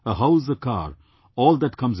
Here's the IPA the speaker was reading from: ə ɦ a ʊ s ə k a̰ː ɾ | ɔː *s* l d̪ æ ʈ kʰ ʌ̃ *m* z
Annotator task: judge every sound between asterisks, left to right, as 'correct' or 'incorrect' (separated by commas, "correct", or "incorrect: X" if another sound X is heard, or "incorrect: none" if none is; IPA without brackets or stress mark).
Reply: incorrect: none, correct